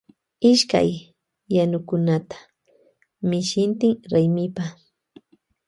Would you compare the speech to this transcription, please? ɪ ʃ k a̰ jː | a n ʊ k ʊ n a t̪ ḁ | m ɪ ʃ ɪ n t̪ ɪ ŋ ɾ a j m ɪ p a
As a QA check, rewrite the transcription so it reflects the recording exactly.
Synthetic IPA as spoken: ɪ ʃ k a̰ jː | a n ʊ k ʊ n a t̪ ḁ | m ɪ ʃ ɪ n t̪ ɪ ŋ ɾ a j m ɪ p a